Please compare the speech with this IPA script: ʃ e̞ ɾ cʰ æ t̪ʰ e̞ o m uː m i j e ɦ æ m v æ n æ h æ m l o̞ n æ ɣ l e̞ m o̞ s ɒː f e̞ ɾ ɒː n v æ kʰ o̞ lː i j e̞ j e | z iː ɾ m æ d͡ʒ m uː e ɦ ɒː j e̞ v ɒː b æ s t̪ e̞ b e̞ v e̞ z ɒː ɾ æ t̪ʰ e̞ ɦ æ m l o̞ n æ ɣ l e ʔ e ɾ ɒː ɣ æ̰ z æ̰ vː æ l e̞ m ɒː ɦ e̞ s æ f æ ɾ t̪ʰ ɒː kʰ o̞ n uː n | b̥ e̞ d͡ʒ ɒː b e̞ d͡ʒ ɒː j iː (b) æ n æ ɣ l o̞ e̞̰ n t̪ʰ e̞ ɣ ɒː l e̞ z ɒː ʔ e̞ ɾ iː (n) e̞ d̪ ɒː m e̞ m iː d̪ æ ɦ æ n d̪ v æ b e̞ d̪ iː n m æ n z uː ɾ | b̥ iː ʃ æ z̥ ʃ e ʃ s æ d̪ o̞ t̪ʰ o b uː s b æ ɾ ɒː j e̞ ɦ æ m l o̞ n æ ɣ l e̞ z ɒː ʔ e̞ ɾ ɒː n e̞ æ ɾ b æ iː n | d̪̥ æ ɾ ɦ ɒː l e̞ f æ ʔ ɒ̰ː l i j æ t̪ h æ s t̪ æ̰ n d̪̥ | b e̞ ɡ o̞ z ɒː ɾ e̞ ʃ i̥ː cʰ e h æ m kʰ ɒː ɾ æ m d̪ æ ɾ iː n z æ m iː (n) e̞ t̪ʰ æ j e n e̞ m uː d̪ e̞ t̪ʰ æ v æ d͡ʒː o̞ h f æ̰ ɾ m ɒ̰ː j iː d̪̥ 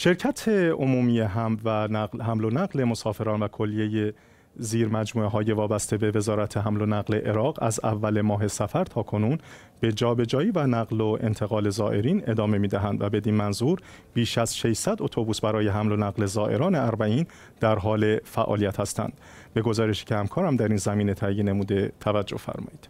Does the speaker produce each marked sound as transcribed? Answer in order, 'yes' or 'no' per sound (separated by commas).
no, yes, yes